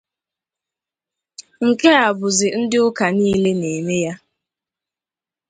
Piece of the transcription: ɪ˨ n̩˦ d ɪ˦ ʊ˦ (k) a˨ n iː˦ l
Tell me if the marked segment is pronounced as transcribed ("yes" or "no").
yes